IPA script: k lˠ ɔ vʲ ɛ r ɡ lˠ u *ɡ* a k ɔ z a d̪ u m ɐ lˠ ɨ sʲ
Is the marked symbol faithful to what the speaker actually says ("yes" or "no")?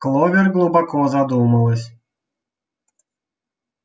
no